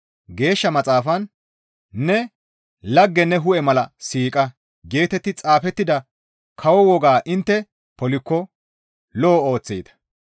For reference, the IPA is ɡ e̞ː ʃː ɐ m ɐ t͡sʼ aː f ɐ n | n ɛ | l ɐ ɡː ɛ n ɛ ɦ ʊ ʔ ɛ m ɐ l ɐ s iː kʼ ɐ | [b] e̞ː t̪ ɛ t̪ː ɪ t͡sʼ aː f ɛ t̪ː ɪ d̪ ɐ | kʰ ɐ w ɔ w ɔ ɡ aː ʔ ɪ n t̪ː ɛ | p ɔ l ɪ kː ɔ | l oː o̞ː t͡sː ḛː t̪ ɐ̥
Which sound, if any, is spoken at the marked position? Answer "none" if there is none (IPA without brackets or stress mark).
ɡ